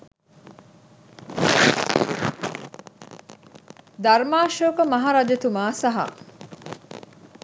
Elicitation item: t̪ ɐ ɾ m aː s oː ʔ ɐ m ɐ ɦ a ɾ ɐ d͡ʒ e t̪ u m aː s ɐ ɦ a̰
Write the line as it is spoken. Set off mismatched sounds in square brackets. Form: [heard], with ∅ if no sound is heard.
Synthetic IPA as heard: [d̪] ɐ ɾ m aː [ʃ] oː [k] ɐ m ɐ ɦ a ɾ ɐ d͡ʒ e t̪ u m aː s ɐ ɦ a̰